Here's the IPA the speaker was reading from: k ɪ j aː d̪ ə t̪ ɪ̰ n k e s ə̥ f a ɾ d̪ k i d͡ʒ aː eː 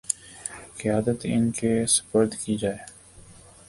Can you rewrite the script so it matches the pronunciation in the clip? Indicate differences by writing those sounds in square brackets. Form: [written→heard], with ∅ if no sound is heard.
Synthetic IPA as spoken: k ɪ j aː d̪ ə t̪ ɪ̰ n k e s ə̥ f [a→ə] ɾ d̪ k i d͡ʒ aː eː